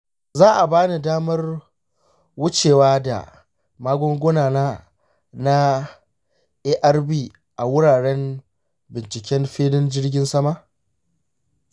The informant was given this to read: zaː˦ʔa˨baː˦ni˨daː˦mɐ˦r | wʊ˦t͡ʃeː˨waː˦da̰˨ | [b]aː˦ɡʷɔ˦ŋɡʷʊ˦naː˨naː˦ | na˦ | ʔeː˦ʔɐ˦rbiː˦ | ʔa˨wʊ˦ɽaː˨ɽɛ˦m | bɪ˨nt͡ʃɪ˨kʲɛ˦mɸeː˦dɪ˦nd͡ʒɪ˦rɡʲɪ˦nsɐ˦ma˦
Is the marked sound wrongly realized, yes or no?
yes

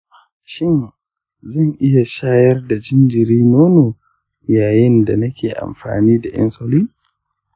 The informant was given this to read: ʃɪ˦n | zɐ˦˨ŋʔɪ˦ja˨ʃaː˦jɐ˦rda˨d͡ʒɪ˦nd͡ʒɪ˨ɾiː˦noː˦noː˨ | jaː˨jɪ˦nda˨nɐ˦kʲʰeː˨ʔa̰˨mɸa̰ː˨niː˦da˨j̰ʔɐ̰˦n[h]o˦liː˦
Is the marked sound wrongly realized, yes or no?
yes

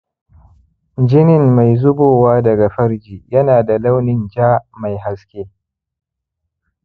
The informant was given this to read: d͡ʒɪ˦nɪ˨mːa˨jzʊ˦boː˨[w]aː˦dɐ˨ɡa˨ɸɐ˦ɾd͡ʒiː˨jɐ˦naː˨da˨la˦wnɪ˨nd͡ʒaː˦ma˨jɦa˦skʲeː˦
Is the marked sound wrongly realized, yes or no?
no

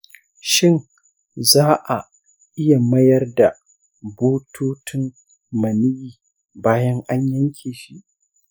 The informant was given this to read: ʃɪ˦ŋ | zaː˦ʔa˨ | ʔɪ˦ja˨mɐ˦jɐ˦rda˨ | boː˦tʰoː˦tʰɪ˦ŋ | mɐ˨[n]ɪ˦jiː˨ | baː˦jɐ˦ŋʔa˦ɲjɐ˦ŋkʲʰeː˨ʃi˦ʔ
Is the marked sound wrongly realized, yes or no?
no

